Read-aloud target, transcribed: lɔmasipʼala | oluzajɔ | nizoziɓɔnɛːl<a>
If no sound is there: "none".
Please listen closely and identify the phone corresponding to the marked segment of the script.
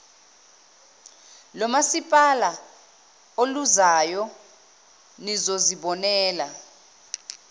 a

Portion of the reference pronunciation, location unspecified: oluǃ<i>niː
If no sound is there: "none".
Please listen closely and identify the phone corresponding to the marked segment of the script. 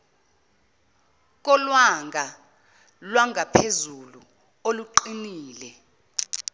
i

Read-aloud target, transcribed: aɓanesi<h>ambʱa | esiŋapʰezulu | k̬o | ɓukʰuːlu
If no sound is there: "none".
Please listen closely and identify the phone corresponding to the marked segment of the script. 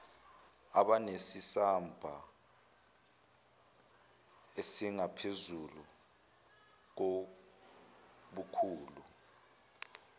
s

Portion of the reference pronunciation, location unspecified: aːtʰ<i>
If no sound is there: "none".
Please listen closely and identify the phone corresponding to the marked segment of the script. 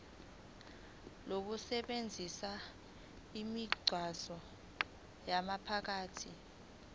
i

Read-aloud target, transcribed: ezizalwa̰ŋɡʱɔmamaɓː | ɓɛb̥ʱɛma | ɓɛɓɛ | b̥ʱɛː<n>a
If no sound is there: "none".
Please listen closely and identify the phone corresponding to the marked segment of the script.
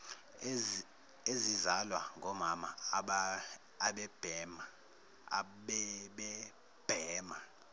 m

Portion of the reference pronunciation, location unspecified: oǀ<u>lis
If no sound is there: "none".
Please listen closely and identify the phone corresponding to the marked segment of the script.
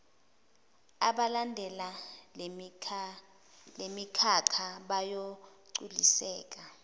u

